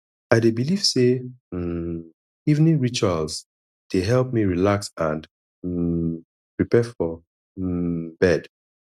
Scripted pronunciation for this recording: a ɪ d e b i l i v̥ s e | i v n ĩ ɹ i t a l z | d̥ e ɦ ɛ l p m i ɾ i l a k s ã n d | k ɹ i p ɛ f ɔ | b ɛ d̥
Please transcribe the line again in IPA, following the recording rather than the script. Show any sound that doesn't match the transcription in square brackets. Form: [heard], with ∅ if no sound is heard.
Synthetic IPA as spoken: a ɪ d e b i l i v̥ s e | i v n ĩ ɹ i [t͡ʃ] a l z | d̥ e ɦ ɛ l p m i [ɹ] i l a k s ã n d | [p] ɹ i p ɛ f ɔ | b ɛ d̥